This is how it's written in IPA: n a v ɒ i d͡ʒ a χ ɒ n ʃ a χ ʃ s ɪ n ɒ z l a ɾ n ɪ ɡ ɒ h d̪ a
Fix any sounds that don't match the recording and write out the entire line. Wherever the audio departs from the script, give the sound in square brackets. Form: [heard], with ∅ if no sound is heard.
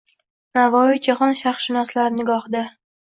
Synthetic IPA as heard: n a v ɒ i d͡ʒ a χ ɒ n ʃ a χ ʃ [ʃ] ɪ n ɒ [s] l a ɾ n ɪ ɡ ɒ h d̪ a